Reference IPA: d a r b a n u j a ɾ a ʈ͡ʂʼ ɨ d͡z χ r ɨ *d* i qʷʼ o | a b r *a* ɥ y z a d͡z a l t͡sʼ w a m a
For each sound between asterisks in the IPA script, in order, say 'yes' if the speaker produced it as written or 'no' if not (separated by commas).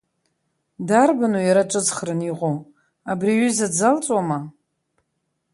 no, no